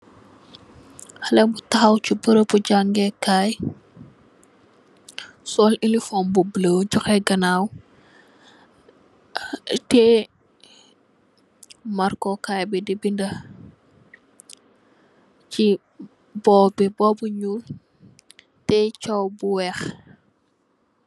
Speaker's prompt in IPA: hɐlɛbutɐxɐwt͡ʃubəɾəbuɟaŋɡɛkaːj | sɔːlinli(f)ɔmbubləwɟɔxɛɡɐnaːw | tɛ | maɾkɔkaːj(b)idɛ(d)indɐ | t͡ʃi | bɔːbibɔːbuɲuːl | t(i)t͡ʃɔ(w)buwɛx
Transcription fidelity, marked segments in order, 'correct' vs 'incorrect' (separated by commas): correct, correct, incorrect, incorrect, correct